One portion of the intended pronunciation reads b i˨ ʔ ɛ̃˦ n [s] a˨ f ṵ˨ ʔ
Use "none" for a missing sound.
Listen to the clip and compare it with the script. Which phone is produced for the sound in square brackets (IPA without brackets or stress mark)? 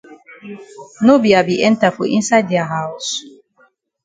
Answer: t